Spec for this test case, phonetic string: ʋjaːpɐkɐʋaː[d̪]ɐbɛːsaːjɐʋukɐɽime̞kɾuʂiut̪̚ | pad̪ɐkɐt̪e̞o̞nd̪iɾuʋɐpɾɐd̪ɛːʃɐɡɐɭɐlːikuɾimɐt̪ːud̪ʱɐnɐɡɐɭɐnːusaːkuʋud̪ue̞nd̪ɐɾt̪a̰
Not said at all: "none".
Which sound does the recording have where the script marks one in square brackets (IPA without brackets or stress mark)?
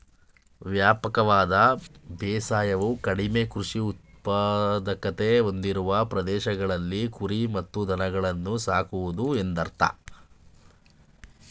d̪